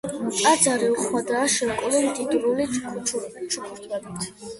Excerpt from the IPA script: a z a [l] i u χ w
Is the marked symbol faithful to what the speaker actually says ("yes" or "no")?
no